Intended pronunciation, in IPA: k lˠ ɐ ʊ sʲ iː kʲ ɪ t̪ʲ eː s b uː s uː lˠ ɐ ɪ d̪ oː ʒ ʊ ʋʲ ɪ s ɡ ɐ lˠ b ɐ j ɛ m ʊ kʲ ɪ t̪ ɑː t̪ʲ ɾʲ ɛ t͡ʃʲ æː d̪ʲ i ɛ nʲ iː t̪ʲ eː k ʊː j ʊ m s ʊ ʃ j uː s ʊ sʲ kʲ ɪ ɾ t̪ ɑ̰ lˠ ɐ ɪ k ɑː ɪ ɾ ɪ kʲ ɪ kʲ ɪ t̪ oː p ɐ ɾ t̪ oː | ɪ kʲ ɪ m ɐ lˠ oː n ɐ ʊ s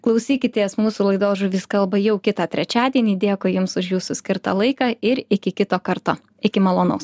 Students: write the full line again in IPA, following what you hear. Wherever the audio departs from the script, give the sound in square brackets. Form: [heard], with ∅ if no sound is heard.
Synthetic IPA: k lˠ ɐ ʊ sʲ iː kʲ ɪ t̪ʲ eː s [m] uː s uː lˠ ɐ ɪ d̪ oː ʒ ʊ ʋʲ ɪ s [k] ɐ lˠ b ɐ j ɛ [∅] ʊ kʲ ɪ t̪ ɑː t̪ʲ ɾʲ ɛ t͡ʃʲ æː d̪ʲ i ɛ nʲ iː [d̪ʲ] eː k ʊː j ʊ m s ʊ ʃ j uː s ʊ sʲ kʲ ɪ ɾ t̪ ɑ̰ lˠ ɐ ɪ k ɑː ɪ ɾ ɪ kʲ ɪ kʲ ɪ t̪ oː [k] ɐ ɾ t̪ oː | ɪ kʲ ɪ m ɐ lˠ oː n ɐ ʊ s

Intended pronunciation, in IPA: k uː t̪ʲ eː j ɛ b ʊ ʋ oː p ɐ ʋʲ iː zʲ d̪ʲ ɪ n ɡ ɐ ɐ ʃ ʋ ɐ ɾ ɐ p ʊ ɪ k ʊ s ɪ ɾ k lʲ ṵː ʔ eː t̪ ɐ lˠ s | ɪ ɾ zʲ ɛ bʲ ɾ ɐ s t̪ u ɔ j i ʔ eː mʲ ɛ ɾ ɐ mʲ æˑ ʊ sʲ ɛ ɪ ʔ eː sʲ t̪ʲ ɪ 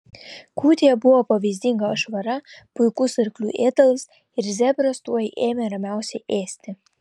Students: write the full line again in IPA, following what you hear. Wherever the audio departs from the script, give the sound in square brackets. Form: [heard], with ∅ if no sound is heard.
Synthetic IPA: k uː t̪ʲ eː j ɛ b ʊ ʋ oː p ɐ ʋʲ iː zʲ d̪ʲ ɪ [ŋ] ɡ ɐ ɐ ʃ ʋ ɐ ɾ ɐ p ʊ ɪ k ʊ s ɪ ɾ k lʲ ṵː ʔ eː t̪ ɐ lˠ s | ɪ ɾ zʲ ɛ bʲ ɾ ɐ s t̪ u ɔ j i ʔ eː mʲ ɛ ɾ ɐ mʲ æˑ ʊ sʲ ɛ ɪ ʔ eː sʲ t̪ʲ ɪ

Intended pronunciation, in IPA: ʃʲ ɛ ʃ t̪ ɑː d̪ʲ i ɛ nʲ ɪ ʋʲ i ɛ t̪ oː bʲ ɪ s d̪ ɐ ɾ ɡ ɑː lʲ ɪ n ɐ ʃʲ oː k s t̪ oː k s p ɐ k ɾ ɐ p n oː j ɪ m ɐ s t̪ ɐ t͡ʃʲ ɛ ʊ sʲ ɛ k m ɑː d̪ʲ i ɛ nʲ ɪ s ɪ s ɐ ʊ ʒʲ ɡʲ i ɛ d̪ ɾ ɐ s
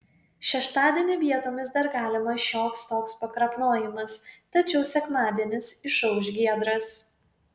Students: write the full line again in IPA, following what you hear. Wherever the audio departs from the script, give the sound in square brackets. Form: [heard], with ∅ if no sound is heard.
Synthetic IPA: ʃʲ ɛ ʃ t̪ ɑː d̪ʲ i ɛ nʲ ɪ ʋʲ i ɛ t̪ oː [mʲ] ɪ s d̪ ɐ ɾ ɡ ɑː lʲ ɪ [m] ɐ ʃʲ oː k s t̪ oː k s p ɐ k ɾ ɐ p n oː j ɪ m ɐ s t̪ ɐ t͡ʃʲ ɛ ʊ sʲ ɛ k m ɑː d̪ʲ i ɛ nʲ ɪ s ɪ [ʃ] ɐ ʊ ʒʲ ɡʲ i ɛ d̪ ɾ ɐ s

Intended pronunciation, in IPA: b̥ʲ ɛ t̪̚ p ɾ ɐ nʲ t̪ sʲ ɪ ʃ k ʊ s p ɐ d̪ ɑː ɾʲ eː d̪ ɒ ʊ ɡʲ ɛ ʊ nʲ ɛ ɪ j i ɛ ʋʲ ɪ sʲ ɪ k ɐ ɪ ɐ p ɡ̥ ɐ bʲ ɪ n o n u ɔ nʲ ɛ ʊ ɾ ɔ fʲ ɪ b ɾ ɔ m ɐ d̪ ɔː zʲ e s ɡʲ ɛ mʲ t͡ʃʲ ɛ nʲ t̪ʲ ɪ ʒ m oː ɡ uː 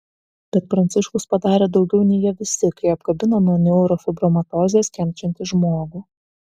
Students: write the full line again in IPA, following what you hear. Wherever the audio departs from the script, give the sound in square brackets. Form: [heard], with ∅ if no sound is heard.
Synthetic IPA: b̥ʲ ɛ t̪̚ p ɾ ɐ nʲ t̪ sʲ ɪ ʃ k ʊ s p ɐ d̪ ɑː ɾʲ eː d̪ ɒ ʊ ɡʲ ɛ ʊ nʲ ɛ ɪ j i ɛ ʋʲ ɪ sʲ ɪ k ɐ ɪ ɐ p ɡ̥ ɐ bʲ ɪ n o n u ɔ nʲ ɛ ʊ ɾ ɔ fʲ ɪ b ɾ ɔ m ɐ [t̪] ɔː zʲ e s [kʲ] ɛ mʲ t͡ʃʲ ɛ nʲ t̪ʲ ɪ ʒ m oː ɡ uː

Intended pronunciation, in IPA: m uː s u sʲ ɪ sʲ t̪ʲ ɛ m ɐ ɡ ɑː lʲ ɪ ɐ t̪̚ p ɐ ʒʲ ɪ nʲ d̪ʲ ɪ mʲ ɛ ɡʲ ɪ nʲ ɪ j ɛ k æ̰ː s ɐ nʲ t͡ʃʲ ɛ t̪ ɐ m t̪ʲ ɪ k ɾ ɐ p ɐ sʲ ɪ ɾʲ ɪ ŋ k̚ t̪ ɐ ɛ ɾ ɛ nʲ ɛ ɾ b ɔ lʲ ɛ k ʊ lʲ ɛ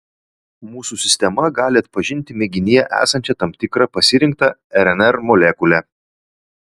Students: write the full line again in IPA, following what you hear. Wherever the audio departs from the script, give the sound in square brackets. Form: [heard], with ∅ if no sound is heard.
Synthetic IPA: m uː s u sʲ ɪ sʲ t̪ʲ ɛ m ɐ ɡ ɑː lʲ ɪ ɐ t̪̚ p ɐ ʒʲ ɪ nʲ [t̪ʲ] ɪ mʲ ɛ ɡʲ ɪ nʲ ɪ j ɛ [ʔ] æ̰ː s ɐ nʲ t͡ʃʲ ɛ t̪ ɐ m t̪ʲ ɪ k ɾ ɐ p ɐ sʲ ɪ ɾʲ ɪ ŋ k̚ t̪ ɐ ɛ ɾ ɛ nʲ ɛ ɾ [m] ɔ lʲ ɛ k ʊ lʲ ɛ

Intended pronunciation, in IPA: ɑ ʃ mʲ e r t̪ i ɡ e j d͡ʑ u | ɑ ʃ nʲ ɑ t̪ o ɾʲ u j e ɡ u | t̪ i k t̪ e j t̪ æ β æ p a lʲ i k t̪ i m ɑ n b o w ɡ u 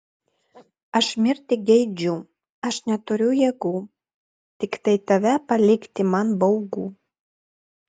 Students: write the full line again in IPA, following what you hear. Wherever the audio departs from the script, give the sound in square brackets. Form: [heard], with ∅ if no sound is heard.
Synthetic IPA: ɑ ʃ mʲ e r t̪ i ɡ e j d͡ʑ u | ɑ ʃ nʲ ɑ t̪ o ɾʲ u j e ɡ u | t̪ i k t̪ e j t̪ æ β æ p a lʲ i k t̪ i m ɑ n b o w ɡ u

